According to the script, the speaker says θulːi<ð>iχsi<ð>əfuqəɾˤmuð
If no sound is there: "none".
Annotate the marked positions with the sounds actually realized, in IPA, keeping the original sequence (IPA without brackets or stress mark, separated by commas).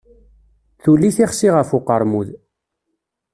θ, ʁ